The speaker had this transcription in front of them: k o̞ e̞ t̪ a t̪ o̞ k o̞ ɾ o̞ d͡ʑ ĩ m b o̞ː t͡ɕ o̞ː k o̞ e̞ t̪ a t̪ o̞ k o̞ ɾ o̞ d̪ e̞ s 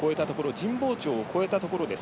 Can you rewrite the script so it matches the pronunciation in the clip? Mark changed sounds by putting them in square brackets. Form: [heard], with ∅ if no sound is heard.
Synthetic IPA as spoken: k o̞ e̞ t̪ a t̪ o̞ k o̞ ɾ o̞ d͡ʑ ĩ m b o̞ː t͡ɕ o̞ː k o̞ e̞ t̪ a t̪ o̞ k o̞ ɾ o̞ d̪ e̞ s